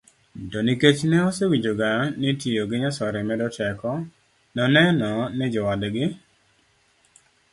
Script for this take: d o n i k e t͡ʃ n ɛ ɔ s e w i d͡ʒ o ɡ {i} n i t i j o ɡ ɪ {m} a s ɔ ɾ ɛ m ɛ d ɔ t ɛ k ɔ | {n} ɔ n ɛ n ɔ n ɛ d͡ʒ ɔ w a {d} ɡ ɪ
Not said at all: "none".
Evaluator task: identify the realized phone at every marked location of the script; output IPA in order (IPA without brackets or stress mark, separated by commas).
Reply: a, ɲ, n, d